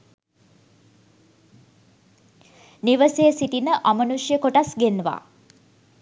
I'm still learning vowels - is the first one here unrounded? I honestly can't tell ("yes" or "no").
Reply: yes